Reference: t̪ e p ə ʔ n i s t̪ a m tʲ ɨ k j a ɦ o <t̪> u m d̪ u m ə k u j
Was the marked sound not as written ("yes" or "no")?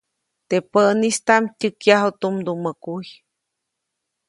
no